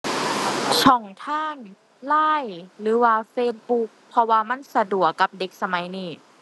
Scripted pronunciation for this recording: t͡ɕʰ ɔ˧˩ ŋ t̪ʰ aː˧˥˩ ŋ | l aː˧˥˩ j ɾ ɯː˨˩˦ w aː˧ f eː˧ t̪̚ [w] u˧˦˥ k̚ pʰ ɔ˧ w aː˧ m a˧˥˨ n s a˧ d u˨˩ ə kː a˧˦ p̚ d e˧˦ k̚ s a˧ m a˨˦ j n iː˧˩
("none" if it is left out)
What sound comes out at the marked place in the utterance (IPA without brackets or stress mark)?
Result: b